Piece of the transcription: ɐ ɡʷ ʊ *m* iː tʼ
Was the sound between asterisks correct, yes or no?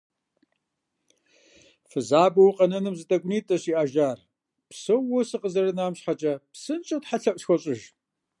no